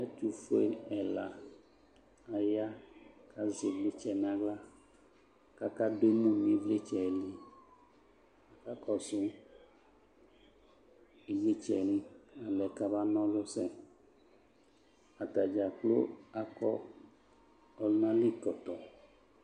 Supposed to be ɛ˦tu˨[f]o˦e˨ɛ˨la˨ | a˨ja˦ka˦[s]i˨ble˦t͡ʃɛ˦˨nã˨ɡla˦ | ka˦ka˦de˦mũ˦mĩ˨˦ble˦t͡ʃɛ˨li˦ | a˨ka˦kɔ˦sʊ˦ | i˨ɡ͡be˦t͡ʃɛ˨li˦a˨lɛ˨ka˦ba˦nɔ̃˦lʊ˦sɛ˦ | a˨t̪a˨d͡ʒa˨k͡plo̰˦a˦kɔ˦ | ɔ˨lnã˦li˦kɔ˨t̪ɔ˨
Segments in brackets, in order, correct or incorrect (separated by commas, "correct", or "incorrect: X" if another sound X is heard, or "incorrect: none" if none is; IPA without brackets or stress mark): correct, incorrect: z